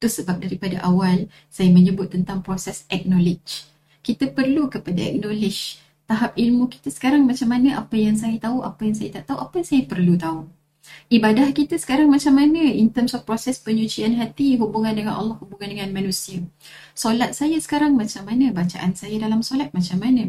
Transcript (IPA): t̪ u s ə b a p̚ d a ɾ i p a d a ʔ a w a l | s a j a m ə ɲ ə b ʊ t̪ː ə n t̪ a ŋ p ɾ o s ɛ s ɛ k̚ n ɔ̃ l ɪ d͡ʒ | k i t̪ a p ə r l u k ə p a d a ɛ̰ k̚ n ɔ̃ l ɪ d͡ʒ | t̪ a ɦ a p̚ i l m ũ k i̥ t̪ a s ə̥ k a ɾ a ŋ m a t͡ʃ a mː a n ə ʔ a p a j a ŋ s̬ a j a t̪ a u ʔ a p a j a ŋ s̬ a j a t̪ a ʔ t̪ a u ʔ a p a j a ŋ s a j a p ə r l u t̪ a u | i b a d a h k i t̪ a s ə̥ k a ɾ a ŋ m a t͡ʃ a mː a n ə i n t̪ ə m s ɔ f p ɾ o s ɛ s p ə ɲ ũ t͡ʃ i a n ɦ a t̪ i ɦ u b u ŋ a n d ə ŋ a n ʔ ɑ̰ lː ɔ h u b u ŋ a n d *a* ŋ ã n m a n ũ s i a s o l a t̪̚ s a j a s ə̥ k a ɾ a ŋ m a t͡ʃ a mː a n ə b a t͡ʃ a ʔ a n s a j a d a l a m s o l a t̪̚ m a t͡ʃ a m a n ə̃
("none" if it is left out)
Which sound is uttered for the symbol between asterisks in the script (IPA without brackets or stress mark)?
ə